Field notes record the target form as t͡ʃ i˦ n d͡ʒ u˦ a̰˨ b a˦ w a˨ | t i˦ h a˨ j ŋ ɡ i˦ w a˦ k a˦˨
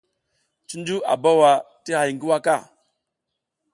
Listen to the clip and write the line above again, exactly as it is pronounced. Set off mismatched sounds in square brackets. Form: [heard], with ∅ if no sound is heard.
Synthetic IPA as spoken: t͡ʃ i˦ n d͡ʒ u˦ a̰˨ b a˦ w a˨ | t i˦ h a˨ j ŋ ɡ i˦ w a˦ k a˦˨